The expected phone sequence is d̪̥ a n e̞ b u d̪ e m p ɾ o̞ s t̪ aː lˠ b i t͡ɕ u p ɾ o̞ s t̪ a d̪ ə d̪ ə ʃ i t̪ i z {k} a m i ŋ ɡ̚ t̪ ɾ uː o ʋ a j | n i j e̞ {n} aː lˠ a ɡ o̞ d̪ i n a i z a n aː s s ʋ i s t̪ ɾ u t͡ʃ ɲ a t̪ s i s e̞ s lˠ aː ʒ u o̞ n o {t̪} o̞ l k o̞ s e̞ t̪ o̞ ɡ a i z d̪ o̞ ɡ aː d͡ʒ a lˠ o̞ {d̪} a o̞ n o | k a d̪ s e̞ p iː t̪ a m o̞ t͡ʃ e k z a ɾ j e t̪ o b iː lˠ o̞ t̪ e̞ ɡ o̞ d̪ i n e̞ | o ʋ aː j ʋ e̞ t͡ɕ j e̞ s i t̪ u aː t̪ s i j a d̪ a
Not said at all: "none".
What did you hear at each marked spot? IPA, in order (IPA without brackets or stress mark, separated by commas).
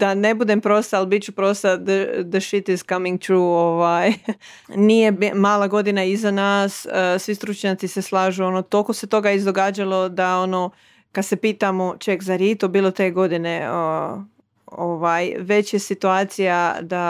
k, m, t̪, d̪